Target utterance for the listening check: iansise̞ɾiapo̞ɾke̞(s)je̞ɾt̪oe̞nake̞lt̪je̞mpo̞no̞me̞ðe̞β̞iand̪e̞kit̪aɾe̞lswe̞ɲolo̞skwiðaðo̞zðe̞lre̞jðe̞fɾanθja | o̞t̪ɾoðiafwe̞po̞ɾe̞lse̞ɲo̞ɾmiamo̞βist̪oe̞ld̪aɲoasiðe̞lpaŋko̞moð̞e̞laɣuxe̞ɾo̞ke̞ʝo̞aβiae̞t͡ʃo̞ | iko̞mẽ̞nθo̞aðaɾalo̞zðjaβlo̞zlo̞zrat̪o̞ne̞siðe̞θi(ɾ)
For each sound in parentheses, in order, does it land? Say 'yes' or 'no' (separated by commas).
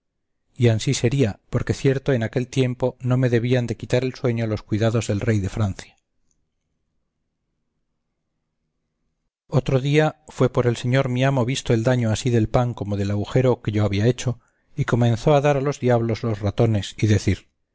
no, yes